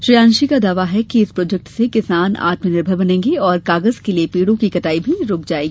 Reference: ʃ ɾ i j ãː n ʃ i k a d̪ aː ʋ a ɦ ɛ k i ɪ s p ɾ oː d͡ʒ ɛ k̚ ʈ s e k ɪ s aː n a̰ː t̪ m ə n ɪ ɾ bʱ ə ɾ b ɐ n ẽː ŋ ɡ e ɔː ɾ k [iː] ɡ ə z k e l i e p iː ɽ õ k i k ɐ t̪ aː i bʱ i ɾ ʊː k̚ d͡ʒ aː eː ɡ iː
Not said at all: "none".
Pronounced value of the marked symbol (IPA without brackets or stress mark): aː